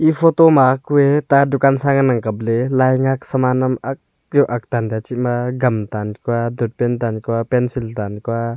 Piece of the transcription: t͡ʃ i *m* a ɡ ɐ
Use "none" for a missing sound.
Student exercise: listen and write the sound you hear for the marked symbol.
m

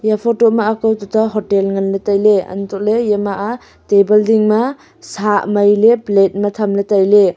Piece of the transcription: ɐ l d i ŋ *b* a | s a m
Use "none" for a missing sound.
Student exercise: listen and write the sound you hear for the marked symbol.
m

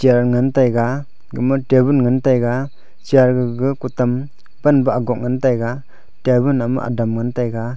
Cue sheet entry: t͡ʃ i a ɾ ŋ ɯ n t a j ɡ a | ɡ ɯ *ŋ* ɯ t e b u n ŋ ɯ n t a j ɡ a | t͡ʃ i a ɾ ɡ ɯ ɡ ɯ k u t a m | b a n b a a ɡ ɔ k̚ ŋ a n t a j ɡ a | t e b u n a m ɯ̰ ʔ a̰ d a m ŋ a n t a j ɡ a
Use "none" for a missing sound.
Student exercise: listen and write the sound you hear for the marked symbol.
m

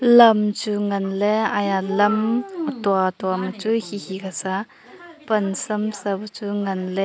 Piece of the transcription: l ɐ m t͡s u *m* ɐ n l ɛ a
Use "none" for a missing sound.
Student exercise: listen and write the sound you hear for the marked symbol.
ŋ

